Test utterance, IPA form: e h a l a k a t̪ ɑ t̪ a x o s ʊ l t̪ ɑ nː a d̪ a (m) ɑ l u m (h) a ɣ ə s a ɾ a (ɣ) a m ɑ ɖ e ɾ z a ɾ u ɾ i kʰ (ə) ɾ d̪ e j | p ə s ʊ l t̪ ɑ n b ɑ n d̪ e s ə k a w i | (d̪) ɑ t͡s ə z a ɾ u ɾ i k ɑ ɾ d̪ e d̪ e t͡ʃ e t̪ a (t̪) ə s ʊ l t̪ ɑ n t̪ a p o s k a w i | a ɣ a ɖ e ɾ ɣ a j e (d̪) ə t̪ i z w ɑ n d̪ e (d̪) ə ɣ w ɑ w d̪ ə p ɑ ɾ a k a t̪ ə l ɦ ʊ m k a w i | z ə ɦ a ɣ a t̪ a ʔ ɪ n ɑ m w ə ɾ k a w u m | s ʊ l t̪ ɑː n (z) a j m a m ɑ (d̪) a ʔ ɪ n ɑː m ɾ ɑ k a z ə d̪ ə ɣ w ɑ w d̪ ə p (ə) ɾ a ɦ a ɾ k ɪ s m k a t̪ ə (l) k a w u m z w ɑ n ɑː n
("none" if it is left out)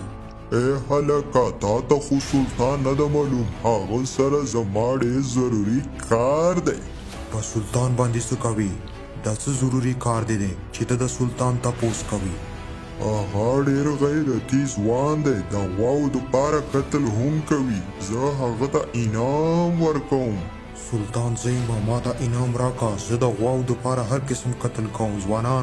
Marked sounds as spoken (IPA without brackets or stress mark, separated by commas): m, h, z, ɑ, d̪, d̪, d̪, d̪, z, t̪, ɑ, l